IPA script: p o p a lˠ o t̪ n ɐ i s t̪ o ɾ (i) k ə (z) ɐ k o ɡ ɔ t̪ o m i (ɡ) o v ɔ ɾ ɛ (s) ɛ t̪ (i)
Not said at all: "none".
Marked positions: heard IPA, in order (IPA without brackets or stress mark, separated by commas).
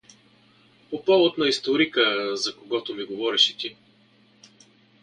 i, z, ɡ, ʃ, i